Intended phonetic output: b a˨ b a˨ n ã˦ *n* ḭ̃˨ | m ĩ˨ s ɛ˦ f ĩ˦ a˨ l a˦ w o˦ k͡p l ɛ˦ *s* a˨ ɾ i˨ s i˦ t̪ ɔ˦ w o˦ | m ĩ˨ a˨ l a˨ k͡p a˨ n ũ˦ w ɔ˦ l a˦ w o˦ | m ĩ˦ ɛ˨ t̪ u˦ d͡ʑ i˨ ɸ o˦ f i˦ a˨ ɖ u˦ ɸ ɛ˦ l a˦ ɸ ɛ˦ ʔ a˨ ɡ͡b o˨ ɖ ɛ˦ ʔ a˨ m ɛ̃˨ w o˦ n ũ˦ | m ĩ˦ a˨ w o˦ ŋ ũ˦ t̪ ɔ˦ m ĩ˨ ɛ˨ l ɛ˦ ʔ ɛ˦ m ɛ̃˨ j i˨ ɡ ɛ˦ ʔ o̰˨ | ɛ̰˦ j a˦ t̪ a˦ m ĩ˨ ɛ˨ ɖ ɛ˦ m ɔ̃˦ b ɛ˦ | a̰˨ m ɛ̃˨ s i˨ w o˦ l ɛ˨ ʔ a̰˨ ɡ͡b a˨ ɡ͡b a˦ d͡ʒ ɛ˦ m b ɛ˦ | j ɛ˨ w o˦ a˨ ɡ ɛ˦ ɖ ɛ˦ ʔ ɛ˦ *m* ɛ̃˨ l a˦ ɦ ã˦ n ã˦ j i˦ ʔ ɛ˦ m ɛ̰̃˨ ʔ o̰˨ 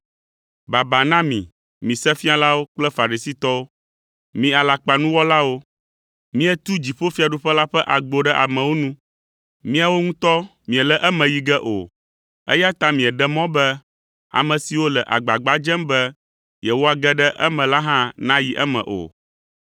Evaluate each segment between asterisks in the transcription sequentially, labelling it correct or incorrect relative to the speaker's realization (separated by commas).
incorrect, incorrect, correct